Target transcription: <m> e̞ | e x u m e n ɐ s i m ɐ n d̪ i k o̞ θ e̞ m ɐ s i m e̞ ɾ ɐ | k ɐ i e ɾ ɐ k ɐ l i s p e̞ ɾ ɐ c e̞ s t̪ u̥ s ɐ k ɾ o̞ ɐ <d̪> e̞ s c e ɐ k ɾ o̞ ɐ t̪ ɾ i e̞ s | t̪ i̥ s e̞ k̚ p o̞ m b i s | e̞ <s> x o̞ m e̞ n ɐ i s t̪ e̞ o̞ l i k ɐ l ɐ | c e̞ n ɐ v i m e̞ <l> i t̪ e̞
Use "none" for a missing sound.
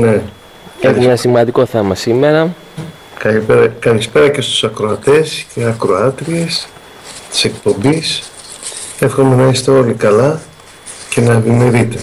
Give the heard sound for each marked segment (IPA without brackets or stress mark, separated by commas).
n, t̪, f, ɾ